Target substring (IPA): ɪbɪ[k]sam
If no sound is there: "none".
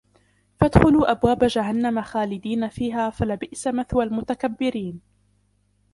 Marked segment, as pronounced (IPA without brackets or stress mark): ʔ